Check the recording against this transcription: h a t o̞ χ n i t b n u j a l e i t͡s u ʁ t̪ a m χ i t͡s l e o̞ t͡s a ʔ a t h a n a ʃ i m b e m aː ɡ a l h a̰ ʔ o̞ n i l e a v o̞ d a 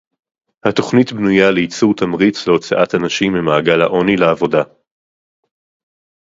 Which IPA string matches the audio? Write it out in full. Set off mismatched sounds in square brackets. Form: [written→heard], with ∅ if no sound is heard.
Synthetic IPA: h a t o̞ χ n i t b n u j a l e i t͡s u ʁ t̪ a m [χ→ʁ] i t͡s l e o̞ t͡s a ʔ a t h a n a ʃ i m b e m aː ɡ a l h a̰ ʔ o̞ n i l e a v o̞ d a